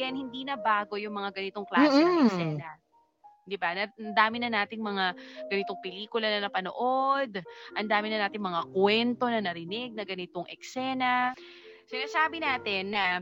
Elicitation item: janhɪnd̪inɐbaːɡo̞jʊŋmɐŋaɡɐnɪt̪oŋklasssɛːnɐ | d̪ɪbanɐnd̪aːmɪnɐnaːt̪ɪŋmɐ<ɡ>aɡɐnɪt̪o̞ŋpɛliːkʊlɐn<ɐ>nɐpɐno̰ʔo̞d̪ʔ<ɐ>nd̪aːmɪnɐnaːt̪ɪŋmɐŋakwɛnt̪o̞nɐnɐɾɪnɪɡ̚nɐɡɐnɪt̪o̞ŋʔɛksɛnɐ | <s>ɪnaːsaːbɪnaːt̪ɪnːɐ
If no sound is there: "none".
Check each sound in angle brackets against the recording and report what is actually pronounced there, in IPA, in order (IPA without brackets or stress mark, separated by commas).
ŋ, ɐ, ɐ, s